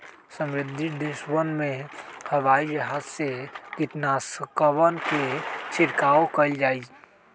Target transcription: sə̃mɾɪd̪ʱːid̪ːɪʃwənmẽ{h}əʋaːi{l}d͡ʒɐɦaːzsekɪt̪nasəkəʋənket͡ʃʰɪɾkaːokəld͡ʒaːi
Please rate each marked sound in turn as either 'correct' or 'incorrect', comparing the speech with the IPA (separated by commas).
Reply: correct, incorrect